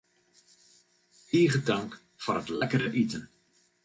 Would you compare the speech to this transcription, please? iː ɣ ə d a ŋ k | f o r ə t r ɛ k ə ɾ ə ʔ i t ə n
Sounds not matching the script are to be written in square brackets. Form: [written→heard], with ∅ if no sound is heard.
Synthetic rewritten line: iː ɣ ə d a ŋ k | f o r ə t [r→l] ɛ k ə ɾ ə ʔ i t ə n